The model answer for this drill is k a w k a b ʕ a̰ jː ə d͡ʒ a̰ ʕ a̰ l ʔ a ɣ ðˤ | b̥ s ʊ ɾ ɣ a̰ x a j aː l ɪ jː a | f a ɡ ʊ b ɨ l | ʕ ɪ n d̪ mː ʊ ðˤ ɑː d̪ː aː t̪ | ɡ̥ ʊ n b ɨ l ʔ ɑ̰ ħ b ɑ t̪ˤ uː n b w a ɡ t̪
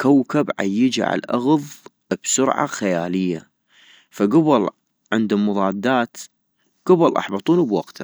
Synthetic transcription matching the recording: k a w k a b ʕ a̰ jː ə d͡ʒ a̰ ʕ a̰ l ʔ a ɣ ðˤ | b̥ s ʊ ɾ ʕ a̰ x a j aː l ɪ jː a | f a ɡ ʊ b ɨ l | ʕ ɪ n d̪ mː ʊ ðˤ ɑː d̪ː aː t̪ | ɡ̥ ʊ b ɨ l ʔ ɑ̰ ħ b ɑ t̪ˤ uː n b w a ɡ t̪

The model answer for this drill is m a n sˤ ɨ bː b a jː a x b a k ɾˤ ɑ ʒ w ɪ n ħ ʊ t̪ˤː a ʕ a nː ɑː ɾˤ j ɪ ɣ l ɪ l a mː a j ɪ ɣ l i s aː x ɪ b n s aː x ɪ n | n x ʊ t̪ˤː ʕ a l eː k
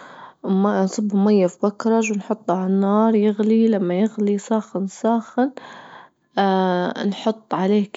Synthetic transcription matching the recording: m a n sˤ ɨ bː m a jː a f b a k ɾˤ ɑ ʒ w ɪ n ħ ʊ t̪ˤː a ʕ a nː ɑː ɾˤ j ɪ ɣ l i l a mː a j ɪ ɣ l i s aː x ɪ n s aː x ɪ n | n ħ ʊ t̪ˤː ʕ a l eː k

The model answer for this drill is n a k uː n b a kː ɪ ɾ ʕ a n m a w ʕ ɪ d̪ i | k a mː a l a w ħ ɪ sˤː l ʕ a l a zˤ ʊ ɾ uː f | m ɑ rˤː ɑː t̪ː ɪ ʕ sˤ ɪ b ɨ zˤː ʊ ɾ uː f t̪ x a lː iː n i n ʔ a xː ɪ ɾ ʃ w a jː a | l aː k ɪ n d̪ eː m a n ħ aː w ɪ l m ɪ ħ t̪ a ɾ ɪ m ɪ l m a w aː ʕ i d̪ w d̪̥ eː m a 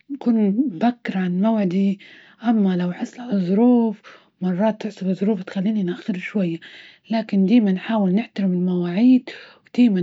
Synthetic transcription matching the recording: n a k uː n b a kː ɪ ɾ ʕ a n m a w ʕ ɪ d̪ i | ʔ a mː a l a w ħ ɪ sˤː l ʕ a l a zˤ ʊ ɾ uː f | m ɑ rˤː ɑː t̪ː ɪ ʕ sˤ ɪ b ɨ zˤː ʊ ɾ uː f t̪ x a lː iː n i n ʔ a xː ɪ ɾ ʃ w a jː a | l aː k ɪ n d̪ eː m a n ħ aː w ɪ l n ɪ ħ t̪ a ɾ ɪ m ɪ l m a w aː ʕ iː d̪ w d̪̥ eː m a

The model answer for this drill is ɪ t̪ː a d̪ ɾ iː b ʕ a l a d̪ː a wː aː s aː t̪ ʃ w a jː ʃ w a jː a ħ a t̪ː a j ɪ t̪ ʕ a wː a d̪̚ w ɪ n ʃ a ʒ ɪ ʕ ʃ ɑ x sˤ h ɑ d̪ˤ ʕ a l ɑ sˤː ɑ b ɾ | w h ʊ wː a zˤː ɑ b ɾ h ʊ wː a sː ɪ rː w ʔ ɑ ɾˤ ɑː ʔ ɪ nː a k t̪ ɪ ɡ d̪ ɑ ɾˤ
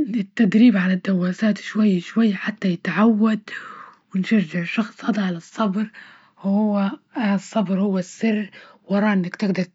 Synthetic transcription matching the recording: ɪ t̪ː a d̪ ɾ iː b ʕ a l a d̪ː a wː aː s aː t̪ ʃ w a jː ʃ w a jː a ħ a t̪ː a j ɪ t̪ ʕ a wː a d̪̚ w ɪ n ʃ a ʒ ɪ ʕ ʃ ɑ x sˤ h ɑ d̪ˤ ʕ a l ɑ sˤː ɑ b ɾ | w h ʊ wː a sˤː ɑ b ɾ h ʊ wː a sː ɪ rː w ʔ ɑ ɾˤ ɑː ʔ ɪ nː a k t̪ ɪ ɡ d̪ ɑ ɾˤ

